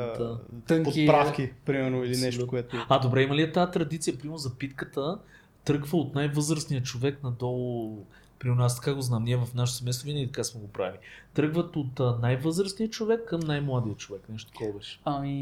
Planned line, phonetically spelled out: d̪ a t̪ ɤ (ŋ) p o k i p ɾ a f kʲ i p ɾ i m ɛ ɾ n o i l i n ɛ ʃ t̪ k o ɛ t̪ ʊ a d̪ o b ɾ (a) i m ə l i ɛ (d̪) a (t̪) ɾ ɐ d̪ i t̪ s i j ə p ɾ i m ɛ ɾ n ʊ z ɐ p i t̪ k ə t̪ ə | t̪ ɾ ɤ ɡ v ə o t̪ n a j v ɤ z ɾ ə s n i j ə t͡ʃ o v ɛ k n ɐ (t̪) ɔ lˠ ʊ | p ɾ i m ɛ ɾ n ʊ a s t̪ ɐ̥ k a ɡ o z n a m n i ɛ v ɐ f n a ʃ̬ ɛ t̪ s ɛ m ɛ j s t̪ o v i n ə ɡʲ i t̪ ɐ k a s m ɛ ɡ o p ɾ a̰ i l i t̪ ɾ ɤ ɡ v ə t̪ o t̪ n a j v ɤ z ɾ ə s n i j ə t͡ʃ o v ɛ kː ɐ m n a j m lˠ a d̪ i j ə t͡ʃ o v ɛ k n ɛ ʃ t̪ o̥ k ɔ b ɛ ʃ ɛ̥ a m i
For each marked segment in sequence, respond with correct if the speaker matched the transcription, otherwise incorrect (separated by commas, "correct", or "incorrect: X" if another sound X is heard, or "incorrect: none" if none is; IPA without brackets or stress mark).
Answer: correct, incorrect: ɛ, incorrect: t̪, correct, incorrect: d̪